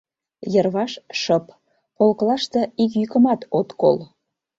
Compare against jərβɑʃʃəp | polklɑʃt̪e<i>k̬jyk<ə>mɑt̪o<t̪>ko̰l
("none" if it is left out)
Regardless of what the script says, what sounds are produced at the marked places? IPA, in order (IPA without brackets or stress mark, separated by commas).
i, ə, t̪